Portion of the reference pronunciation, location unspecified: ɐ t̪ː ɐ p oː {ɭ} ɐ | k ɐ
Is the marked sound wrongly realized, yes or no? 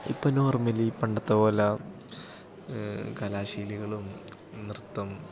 yes